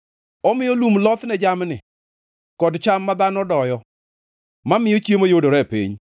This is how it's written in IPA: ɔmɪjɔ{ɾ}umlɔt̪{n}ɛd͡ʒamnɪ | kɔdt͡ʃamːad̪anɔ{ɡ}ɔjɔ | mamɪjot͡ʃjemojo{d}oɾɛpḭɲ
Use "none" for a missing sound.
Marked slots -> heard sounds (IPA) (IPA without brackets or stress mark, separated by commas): l, n, d, d